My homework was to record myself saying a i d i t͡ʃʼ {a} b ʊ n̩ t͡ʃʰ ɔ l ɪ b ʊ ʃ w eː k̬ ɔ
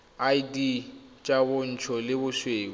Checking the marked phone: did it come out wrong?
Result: no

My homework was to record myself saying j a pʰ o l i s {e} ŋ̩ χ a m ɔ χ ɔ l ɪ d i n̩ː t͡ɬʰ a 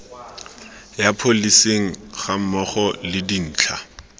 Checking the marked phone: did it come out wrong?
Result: no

